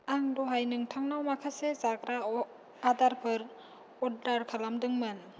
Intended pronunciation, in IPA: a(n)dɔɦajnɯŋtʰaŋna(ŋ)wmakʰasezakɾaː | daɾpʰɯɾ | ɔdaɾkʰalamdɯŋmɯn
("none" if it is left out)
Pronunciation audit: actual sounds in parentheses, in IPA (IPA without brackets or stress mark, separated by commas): ŋ, none